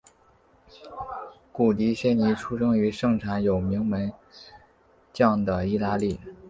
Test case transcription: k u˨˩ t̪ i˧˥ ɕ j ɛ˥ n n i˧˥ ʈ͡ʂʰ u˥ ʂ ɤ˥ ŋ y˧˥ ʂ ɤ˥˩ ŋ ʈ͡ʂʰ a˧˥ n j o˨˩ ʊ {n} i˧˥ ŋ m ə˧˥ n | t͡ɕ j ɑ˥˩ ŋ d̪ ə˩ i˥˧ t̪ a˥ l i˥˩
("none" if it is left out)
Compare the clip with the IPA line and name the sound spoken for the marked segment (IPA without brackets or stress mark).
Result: m